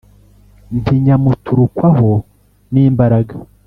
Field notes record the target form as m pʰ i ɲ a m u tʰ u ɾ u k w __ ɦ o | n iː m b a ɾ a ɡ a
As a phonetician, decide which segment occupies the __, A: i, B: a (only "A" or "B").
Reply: B